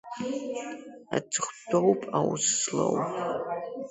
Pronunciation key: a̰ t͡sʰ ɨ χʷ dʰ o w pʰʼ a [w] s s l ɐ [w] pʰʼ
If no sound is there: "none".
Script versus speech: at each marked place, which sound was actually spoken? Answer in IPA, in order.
w, w

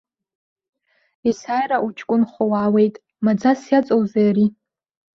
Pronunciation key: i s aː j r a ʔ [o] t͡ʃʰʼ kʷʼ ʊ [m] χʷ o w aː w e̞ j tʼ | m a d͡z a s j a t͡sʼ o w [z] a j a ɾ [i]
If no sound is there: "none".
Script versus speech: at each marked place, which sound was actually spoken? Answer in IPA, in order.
u, n, z, i

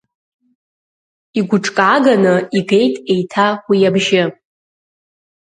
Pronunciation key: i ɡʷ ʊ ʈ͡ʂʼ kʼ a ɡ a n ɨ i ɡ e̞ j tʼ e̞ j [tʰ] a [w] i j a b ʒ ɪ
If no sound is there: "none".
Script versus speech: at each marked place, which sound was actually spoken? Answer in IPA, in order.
tʰ, w

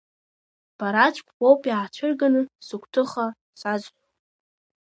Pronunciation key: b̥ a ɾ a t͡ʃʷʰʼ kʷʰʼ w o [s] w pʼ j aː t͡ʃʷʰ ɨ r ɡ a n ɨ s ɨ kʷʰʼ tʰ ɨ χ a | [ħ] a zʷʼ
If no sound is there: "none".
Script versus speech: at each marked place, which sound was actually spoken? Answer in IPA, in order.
none, s

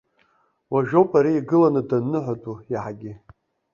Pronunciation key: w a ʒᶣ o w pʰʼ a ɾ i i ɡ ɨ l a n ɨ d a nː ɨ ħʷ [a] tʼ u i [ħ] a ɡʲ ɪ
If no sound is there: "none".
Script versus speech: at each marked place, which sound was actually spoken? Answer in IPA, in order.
a, ħ

